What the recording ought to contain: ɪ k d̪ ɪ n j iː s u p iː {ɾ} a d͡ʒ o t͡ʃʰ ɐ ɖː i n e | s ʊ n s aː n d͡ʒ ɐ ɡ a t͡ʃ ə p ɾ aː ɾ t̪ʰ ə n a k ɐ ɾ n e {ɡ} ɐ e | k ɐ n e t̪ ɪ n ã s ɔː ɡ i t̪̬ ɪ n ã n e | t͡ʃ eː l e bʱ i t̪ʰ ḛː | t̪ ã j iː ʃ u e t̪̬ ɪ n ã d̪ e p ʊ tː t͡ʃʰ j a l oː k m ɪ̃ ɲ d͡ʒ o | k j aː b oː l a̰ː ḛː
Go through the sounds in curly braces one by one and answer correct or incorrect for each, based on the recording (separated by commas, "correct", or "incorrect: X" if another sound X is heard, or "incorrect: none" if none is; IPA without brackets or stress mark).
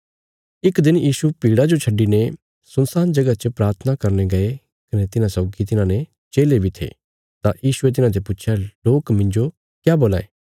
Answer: incorrect: ɽ, correct